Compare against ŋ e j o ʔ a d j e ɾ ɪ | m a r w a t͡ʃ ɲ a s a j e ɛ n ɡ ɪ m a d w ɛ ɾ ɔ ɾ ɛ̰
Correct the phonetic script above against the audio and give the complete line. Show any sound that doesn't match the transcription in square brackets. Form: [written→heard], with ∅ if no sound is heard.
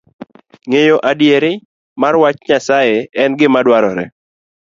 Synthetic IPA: ŋ e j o ʔ a d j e ɾ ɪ | m a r w a t͡ʃ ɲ a s a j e ɛ n ɡ ɪ m a d w [ɛ→a] ɾ ɔ ɾ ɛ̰